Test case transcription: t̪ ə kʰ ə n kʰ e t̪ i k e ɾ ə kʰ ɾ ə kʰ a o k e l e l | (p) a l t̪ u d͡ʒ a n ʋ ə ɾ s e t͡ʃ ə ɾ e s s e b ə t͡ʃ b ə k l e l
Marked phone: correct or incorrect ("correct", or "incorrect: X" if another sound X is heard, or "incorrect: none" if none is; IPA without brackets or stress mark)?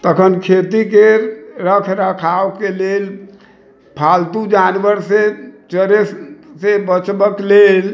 incorrect: pʰ